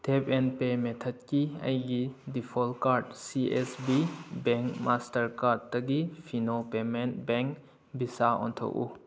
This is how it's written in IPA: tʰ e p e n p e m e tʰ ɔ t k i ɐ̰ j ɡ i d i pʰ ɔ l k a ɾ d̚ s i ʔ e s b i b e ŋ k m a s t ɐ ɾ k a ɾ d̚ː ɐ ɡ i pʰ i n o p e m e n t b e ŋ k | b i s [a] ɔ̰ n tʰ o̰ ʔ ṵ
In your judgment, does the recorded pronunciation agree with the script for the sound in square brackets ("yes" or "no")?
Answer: yes